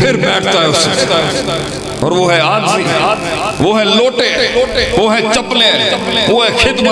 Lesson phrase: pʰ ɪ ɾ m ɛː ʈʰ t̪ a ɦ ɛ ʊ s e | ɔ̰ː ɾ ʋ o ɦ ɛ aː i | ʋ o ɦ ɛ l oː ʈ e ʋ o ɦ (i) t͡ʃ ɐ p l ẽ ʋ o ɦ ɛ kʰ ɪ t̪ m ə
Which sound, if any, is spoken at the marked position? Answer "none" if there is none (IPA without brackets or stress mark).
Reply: ɛ